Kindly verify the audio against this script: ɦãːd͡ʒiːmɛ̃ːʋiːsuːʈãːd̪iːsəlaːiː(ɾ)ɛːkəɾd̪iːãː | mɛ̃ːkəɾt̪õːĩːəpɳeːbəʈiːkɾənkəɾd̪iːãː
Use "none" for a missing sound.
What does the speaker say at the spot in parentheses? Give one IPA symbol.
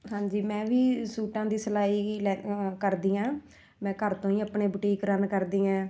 l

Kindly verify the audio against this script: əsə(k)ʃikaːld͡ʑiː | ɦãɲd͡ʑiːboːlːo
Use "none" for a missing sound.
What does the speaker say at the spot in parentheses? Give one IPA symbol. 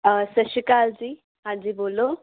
none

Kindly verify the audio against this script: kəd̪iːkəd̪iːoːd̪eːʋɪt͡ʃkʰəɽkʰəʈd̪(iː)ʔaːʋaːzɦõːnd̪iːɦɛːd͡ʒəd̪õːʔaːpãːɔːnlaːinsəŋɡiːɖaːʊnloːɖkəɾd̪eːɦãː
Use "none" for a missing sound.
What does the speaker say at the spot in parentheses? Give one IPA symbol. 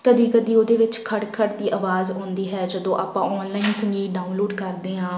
iː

